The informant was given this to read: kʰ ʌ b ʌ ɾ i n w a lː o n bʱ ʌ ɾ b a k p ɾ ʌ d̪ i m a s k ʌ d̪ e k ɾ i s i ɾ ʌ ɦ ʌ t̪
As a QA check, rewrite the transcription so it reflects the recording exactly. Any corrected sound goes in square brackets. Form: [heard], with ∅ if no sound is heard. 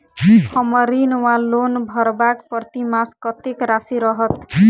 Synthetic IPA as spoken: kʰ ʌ [m] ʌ ɾ i n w a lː o n bʱ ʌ ɾ b a k p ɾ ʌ [t̪] i m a s k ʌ [t̪] e k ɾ [a] s i ɾ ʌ ɦ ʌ t̪